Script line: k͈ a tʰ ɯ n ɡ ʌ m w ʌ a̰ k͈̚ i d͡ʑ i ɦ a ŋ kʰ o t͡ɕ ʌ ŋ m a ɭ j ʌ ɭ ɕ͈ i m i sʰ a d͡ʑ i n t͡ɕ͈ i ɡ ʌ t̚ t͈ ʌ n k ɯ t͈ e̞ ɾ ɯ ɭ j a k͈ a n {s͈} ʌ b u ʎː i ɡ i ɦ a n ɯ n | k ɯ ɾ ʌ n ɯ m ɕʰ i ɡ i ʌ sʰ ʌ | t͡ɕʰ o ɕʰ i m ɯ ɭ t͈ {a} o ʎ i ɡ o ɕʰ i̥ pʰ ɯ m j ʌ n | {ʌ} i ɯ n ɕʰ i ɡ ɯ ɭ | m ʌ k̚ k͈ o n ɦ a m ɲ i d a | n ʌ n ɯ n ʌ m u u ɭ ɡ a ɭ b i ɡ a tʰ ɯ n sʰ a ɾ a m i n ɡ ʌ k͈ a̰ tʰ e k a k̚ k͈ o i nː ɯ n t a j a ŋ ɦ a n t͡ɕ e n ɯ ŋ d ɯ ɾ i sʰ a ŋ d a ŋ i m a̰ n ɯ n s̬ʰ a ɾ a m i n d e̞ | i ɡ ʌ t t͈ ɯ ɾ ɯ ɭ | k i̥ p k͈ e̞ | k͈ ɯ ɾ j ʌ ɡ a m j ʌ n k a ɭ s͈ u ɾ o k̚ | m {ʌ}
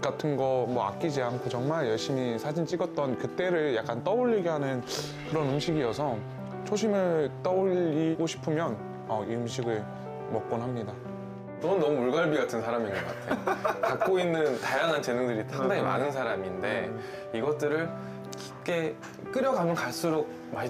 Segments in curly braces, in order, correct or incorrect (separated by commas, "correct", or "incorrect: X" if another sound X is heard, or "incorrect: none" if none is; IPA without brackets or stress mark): incorrect: t͈, incorrect: ʌ, correct, incorrect: a